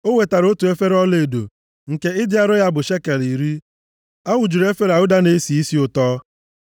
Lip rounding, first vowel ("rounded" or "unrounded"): rounded